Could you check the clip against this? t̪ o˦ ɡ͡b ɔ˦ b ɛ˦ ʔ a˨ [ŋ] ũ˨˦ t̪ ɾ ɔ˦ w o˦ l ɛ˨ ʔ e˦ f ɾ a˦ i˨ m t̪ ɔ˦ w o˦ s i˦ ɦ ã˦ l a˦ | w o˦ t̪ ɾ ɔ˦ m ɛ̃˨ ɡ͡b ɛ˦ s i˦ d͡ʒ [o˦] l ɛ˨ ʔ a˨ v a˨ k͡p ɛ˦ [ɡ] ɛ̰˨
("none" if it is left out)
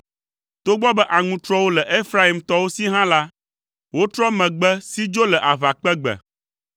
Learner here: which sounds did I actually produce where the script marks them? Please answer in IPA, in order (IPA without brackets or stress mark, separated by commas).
ŋ, o˦, ɡ͡b